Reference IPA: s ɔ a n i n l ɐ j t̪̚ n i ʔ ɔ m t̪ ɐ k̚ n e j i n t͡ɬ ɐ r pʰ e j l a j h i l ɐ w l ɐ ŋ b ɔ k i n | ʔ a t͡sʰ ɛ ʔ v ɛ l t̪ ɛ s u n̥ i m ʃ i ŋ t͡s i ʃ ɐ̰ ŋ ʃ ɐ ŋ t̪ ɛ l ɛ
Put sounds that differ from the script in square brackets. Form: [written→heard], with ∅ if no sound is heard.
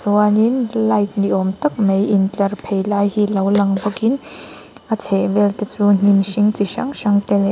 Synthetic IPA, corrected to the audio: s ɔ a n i n l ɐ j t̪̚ n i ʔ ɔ m t̪ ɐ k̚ [n→m] e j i n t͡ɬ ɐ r pʰ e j l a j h i l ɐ w l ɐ ŋ b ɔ k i n | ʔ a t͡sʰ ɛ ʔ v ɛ l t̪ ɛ [s→t͡s] u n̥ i m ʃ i ŋ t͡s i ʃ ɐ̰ ŋ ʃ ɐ ŋ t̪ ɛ l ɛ